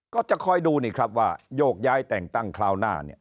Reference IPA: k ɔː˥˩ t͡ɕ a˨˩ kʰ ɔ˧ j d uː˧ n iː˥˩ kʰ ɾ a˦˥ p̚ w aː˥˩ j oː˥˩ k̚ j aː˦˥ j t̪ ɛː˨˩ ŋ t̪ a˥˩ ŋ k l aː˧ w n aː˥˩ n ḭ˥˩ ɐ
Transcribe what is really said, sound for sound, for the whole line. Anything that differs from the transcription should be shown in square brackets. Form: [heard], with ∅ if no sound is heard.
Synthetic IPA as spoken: k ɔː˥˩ t͡ɕ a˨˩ kʰ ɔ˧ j d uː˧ n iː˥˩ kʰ ɾ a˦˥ p̚ w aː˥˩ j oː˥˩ k̚ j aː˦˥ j t̪ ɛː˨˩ ŋ t̪ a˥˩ ŋ [kʰ] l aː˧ w n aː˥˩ n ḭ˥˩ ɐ